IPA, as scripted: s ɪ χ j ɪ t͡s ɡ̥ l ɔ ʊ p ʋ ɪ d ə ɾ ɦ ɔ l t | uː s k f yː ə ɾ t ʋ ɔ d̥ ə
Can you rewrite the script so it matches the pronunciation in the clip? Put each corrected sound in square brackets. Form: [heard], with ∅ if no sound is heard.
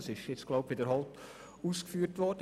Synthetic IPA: s ɪ [ʃ] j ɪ t͡s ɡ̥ l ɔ ʊ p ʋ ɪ d ə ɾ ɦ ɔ l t | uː s k f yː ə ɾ t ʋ ɔ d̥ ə